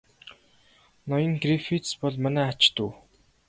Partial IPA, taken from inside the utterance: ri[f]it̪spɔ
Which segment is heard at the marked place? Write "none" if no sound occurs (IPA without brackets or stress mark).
f